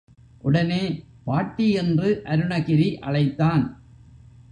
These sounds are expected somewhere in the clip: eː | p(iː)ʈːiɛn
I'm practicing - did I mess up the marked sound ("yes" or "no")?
yes